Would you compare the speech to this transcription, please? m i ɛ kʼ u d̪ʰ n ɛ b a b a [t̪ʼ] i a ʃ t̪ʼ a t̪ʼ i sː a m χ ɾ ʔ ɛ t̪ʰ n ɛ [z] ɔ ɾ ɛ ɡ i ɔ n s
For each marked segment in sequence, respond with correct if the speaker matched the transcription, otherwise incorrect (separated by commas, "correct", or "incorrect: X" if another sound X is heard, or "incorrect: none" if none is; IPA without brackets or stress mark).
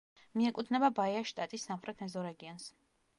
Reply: incorrect: none, correct